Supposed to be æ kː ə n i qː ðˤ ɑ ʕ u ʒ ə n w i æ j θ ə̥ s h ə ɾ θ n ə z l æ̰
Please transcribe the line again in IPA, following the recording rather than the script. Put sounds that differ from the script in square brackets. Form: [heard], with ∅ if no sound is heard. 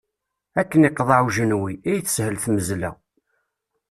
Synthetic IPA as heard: æ kː ə n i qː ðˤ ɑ ʕ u ʒ ə n w i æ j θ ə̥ s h ə [l] θ [m] ə z l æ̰